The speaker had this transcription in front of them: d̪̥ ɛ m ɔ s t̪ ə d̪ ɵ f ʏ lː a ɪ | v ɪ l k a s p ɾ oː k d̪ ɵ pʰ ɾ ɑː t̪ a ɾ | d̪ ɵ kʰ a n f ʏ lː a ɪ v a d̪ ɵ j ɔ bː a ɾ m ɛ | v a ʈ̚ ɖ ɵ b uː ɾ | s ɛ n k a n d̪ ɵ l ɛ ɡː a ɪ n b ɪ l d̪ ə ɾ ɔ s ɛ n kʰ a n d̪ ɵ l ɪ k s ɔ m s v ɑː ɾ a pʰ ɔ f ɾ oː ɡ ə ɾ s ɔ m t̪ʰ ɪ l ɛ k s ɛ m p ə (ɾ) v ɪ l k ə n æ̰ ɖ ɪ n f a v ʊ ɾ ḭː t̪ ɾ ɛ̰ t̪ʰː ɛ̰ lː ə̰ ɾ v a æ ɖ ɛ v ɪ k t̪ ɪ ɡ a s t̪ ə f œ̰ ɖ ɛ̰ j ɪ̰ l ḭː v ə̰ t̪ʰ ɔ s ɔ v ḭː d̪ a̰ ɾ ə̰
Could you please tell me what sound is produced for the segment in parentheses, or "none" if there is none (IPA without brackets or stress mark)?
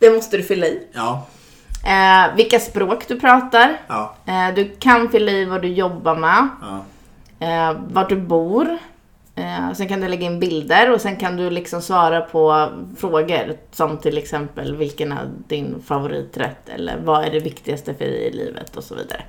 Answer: l